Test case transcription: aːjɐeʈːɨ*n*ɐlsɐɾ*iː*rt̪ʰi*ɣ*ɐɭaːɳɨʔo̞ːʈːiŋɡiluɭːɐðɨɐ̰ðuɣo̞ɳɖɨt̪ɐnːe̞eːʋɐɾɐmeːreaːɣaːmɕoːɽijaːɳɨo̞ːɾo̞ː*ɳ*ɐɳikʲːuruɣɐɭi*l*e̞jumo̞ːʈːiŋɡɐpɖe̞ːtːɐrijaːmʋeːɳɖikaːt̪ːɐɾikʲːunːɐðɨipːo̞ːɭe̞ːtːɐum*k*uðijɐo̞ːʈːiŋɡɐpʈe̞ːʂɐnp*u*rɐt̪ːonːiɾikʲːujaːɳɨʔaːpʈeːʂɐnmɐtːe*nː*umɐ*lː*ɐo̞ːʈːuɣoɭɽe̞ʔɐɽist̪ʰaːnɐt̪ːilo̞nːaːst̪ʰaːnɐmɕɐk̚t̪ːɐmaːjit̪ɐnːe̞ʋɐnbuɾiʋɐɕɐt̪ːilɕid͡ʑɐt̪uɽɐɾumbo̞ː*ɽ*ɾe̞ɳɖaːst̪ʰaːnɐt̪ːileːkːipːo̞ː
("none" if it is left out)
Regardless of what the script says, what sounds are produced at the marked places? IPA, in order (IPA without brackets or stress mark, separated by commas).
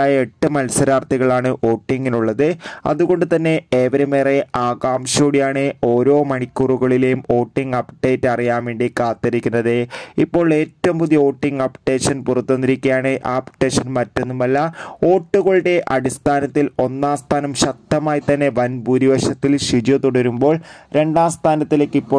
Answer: m, aː, ɣ, m, l, p, u, nː, lː, ɭ